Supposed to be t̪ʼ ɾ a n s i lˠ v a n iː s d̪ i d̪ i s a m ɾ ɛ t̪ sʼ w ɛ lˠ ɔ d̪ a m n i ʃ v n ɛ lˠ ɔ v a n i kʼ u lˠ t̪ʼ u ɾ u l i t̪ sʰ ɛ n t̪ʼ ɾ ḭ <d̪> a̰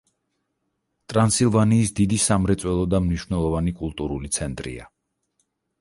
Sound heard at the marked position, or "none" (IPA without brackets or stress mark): none